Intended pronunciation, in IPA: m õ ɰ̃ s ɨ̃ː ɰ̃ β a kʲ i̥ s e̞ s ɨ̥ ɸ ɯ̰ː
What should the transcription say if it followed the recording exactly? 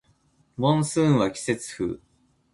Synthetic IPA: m õ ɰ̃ s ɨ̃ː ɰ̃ β a kʲ i̥ s e̞ t͡s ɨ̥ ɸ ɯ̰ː